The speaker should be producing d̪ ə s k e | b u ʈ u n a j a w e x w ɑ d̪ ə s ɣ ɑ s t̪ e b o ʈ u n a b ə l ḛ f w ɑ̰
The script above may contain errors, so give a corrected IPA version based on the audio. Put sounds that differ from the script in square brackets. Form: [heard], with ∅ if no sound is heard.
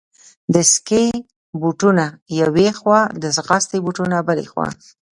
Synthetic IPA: d̪ ə s k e | b u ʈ u n a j a w e x w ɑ d̪ ə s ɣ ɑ s t̪ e b [u] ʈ u n a b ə l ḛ [x] w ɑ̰